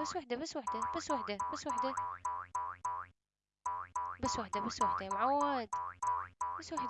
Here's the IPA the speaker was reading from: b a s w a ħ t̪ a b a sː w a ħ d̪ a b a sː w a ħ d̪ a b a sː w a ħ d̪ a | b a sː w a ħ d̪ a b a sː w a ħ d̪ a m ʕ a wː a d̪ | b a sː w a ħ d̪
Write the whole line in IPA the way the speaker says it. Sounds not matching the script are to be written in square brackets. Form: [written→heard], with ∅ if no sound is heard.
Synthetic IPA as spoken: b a s w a ħ [t̪→d̪] a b a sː w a ħ d̪ a b a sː w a ħ d̪ a b a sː w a ħ d̪ a | b a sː w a ħ d̪ a b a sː w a ħ d̪ a m ʕ a wː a d̪ | b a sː w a ħ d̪